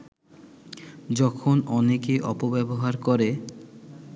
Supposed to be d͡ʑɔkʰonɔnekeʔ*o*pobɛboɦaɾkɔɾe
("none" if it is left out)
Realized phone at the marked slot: ɔ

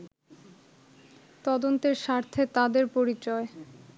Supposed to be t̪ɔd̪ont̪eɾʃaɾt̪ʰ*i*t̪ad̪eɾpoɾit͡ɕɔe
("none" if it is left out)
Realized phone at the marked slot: e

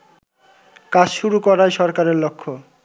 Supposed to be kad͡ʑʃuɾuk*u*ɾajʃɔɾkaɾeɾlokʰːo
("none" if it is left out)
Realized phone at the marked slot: ɔ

